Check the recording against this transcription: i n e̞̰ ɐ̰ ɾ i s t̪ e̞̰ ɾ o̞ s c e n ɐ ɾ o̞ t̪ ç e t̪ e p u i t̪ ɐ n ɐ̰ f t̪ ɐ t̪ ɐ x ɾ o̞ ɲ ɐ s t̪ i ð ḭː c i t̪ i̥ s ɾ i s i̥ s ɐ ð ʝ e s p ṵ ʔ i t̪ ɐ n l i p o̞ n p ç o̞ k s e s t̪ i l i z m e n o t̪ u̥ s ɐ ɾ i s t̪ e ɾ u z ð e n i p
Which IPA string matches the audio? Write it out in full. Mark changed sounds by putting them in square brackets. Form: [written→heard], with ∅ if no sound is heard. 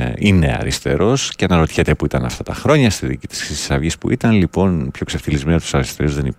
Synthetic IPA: i n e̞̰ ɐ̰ ɾ i s t̪ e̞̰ ɾ o̞ s c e n ɐ ɾ o̞ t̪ ç e t̪ e p u i t̪ ɐ n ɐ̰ f t̪ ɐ t̪ ɐ x ɾ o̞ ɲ ɐ s t̪ i ð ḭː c i t̪ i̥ s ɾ i s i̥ s ɐ [ð→v] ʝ [e→i] s p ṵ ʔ i t̪ ɐ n l i p o̞ n p ç o̞ k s e [s→f] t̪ i l i z m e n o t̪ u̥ s ɐ ɾ i s t̪ e ɾ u z ð e n i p